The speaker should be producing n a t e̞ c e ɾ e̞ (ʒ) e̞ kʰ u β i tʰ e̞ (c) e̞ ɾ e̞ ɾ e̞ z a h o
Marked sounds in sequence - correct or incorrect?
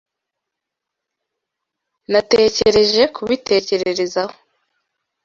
correct, correct

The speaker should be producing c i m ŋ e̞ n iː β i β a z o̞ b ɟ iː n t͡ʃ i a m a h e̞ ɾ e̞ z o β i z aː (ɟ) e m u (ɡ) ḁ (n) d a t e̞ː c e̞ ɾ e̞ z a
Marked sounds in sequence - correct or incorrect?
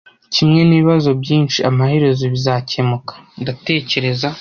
incorrect, incorrect, correct

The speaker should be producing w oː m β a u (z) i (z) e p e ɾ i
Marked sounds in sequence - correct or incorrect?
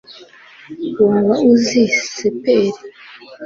correct, incorrect

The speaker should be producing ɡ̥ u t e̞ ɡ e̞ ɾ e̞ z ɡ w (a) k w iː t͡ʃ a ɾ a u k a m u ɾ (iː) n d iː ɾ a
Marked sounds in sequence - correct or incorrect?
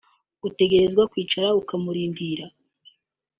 correct, correct

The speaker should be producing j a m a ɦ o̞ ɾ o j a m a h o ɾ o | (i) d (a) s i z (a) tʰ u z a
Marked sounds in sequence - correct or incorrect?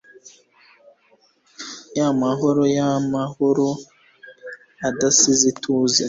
incorrect, correct, incorrect

